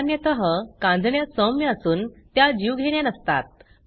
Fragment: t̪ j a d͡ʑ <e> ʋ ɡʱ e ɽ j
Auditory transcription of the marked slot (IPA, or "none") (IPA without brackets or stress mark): i